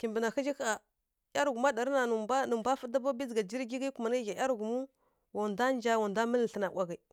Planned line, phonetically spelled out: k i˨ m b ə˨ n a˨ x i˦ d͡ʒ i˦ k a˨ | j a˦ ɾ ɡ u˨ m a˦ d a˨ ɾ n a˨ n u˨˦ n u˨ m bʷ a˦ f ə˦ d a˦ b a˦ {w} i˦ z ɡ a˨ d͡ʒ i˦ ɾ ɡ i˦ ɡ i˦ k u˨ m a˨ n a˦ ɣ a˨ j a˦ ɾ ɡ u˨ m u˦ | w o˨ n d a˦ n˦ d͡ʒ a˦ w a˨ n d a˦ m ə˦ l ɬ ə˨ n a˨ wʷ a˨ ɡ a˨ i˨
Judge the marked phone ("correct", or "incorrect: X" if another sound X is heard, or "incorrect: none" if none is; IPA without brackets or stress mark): incorrect: b